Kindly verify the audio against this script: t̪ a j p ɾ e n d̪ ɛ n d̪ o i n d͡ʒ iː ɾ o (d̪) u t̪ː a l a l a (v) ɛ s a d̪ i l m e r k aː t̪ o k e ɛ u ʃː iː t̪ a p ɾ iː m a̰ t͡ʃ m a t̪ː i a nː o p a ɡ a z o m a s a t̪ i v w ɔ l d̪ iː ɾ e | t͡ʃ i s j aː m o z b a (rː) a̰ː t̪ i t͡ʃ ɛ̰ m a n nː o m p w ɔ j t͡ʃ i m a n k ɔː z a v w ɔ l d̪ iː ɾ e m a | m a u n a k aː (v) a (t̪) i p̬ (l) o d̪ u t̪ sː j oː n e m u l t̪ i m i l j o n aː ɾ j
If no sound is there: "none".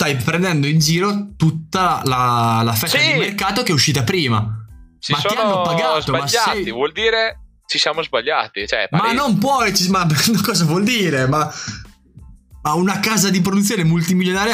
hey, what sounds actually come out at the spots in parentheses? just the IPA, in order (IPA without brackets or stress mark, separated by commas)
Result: t̪, f, ʎː, z, d̪, ɾ